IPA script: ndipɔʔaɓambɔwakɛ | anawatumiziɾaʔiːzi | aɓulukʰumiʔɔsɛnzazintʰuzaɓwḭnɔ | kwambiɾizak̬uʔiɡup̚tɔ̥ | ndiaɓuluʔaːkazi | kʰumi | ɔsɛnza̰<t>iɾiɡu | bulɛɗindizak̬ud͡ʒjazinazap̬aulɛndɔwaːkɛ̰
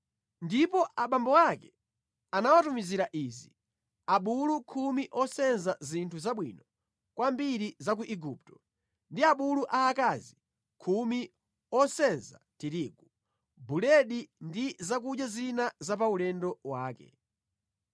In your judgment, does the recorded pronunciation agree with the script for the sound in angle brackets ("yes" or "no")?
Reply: yes